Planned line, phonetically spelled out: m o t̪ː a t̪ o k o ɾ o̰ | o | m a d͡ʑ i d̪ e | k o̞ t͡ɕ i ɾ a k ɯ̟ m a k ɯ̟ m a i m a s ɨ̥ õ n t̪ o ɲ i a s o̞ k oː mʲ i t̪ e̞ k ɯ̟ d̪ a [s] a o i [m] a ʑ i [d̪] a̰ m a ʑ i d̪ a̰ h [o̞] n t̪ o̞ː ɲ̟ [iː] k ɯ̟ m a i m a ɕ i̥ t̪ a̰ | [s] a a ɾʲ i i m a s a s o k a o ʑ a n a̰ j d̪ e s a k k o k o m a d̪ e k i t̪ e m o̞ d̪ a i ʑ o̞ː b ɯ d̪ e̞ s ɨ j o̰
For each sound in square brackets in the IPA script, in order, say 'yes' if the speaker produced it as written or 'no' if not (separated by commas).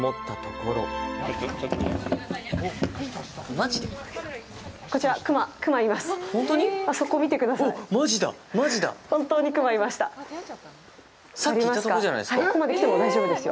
yes, yes, yes, no, no, yes